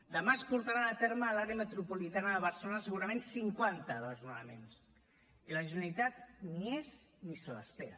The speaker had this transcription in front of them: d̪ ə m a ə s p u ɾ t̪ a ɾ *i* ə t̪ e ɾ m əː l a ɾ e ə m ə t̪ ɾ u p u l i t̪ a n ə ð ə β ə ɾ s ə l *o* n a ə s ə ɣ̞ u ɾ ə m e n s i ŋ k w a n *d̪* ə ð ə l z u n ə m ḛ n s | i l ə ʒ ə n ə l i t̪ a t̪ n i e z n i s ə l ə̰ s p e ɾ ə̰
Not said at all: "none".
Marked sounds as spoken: a, o, t̪

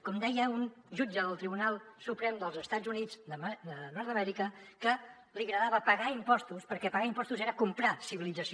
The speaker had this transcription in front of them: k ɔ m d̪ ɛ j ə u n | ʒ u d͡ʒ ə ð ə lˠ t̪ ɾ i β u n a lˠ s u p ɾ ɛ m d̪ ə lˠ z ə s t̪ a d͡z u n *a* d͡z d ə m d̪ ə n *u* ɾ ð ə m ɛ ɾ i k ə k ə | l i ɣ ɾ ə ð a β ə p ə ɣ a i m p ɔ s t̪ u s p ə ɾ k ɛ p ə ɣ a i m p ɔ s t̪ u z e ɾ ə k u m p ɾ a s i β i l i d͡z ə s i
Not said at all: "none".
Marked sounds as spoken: i, ɔ

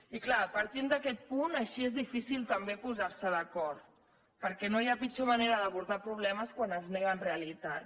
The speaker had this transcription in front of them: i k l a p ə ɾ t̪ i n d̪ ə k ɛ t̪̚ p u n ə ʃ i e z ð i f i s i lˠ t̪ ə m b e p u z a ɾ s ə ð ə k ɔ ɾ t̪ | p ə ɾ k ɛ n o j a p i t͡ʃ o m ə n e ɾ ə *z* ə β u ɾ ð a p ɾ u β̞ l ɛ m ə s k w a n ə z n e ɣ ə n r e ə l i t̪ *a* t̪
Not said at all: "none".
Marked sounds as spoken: ð, a

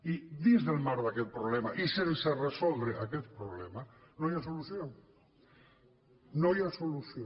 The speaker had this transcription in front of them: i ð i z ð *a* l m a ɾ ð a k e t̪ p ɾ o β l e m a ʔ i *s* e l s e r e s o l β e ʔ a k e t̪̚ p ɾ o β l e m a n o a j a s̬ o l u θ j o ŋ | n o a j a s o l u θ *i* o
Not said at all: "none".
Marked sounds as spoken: e, s, j

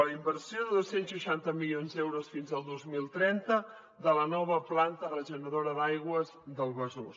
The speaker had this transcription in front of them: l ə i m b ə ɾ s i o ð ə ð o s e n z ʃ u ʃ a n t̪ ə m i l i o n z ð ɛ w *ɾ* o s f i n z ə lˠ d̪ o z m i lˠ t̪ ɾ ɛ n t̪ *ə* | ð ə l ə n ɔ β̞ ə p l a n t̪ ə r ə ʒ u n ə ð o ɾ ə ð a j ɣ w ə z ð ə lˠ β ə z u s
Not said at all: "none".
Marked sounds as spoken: ɾ, ə

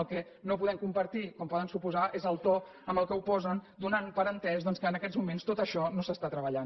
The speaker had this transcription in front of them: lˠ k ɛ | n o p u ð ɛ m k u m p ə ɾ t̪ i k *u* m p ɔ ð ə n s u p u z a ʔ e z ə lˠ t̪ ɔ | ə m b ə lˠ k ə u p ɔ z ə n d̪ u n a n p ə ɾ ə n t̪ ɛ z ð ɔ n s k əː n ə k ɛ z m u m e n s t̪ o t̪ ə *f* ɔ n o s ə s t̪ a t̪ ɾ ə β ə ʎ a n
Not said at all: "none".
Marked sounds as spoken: ɔ, ʃ

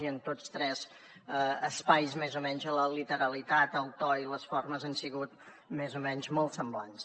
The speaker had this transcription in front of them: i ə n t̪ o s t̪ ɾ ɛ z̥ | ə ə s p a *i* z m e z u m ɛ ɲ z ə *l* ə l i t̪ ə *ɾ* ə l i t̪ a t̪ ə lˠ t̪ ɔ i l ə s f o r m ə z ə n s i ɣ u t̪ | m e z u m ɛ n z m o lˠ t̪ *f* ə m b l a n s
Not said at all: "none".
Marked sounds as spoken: j, l, ɾ, s

